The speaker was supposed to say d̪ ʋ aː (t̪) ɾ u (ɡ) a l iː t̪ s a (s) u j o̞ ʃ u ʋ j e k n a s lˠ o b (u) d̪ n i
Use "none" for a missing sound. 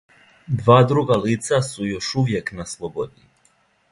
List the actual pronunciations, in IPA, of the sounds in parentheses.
d̪, ɡ, s, o

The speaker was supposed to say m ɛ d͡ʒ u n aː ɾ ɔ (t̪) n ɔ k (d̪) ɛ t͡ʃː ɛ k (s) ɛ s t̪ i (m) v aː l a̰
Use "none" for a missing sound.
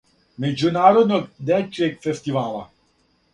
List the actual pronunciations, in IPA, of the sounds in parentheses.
d̪, d̪, f, none

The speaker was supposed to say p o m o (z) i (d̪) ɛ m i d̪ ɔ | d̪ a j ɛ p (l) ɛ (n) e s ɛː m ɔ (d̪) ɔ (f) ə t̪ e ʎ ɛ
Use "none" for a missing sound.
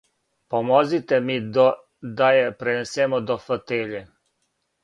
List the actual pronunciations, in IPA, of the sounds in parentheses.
z, t̪, ɾ, n, d̪, f

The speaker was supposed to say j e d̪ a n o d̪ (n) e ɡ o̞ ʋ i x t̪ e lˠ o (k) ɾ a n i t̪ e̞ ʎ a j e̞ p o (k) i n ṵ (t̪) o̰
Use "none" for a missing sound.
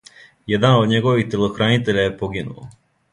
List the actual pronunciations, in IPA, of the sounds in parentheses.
ɲ, x, ɡ, none

